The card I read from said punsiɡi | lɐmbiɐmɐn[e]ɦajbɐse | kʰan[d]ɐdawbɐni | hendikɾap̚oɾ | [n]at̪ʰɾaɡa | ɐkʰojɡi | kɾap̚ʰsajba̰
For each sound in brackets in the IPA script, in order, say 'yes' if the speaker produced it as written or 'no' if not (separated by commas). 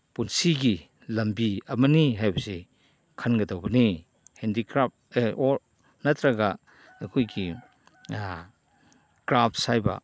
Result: no, no, yes